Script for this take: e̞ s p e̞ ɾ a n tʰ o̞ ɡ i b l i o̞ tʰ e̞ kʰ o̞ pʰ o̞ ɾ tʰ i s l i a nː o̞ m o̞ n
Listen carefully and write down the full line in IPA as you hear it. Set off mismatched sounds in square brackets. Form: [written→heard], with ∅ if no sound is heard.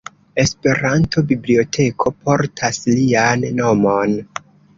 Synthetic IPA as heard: e̞ s p e̞ ɾ a n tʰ o̞ [ɡ→b] i b l i o̞ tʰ e̞ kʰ o̞ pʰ o̞ ɾ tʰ [i→a] s l i a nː o̞ m o̞ n